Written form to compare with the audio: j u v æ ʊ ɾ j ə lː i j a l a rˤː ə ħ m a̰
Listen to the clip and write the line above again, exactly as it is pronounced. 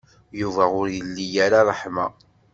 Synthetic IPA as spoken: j u v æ ʊ ɾ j ə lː i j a ɾ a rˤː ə ħ m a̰